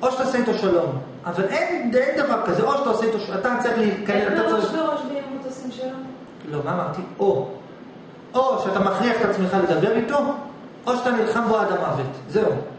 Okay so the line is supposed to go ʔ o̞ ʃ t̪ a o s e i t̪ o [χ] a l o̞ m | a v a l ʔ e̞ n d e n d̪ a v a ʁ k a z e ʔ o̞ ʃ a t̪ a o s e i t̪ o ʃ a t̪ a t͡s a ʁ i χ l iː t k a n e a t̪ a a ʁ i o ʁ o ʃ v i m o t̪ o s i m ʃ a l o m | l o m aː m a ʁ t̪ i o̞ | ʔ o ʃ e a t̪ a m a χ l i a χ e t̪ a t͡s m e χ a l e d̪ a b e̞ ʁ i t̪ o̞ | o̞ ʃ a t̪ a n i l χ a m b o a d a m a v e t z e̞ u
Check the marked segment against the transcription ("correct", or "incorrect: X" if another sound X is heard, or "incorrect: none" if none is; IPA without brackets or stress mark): incorrect: ʃ